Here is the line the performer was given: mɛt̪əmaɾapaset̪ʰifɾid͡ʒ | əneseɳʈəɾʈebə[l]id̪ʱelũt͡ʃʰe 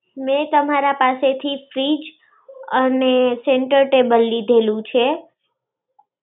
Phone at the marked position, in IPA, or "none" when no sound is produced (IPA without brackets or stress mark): lː